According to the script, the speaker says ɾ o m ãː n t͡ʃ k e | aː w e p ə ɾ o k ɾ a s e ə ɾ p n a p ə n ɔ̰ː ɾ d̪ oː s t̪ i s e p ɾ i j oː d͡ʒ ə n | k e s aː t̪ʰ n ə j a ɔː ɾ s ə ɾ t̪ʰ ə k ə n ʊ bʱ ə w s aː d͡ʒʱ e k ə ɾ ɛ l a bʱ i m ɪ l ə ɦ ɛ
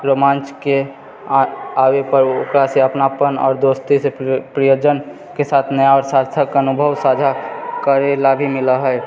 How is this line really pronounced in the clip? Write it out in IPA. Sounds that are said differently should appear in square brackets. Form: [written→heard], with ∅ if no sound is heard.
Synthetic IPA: ɾ o m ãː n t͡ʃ k e | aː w e p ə ɾ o k ɾ a s e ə [ɾ→∅] p n a p ə n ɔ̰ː ɾ d̪ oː s t̪ i s e p ɾ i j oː d͡ʒ ə n | k e s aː t̪ʰ n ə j a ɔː ɾ s [ə→a] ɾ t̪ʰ ə k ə n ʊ bʱ ə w s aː d͡ʒʱ [e→a] k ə ɾ [ɛ→e] l a bʱ i m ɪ l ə ɦ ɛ